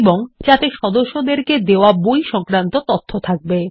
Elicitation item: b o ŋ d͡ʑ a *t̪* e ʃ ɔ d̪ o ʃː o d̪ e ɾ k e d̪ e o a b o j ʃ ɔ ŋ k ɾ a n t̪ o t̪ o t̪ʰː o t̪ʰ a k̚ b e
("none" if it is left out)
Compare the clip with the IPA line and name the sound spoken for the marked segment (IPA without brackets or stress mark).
t̪